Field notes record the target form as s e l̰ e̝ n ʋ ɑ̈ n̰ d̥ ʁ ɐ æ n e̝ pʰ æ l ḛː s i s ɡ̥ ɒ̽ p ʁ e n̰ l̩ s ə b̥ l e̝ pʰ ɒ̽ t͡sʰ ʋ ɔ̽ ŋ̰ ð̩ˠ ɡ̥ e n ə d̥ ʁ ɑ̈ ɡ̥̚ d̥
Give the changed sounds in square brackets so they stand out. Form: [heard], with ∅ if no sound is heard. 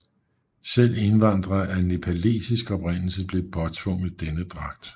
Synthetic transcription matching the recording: s e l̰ e̝ n ʋ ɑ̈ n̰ d̥ ʁ ɐ æ n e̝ pʰ æ l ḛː s i s ɡ̥ ɒ̽ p ʁ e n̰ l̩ s ə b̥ l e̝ pʰ ɒ̽ t͡sʰ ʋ ɔ̽ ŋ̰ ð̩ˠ [d̥] e n ə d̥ ʁ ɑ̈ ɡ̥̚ d̥